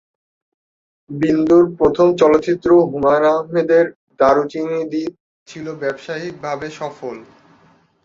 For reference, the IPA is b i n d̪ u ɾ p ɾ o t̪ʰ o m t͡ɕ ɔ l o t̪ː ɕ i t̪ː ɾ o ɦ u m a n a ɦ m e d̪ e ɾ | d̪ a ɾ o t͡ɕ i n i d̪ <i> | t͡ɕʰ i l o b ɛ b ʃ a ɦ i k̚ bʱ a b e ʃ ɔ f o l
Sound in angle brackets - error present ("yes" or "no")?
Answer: no